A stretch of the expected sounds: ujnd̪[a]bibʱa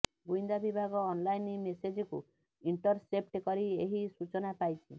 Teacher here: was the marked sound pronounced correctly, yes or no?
yes